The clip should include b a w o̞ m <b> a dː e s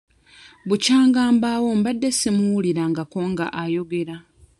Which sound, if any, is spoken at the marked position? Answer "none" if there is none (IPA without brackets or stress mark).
b